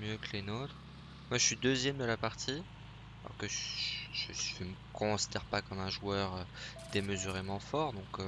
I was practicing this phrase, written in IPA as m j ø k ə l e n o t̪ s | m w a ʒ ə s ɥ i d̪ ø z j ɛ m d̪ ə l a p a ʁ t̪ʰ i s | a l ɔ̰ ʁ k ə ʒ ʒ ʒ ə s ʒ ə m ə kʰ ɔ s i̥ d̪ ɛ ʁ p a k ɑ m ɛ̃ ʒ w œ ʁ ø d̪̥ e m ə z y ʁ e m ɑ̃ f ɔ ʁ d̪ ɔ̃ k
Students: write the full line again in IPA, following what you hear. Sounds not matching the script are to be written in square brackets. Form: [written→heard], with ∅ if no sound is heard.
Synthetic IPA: m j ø k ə l e n o t̪ [s→χ] | m w a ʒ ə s ɥ i d̪ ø z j ɛ m d̪ ə l a p a ʁ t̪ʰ i [s→∅] | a l ɔ̰ ʁ k ə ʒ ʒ ʒ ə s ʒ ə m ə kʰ [ɔ→ɔ̃] s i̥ d̪ ɛ ʁ p a k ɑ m ɛ̃ ʒ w œ ʁ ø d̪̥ e m ə z y ʁ e m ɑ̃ f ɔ ʁ d̪ ɔ̃ k